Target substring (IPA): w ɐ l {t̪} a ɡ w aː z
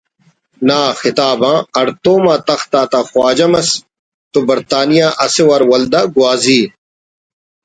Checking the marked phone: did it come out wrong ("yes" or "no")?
yes